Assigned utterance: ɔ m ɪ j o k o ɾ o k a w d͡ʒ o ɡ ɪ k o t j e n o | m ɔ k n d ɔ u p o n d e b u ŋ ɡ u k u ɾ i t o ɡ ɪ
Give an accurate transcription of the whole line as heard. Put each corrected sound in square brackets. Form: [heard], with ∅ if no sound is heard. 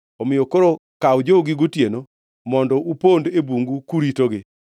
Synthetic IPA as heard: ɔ m ɪ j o k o ɾ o k a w d͡ʒ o ɡ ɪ [ɡ] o t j e n o | m ɔ [∅] n d ɔ u p o n d e b u ŋ ɡ u k u ɾ i t o ɡ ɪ